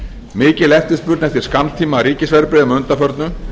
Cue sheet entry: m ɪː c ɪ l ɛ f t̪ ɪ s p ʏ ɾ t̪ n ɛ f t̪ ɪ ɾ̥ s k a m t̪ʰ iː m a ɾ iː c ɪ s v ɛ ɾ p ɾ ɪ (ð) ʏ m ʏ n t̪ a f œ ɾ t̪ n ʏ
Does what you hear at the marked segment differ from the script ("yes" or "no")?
no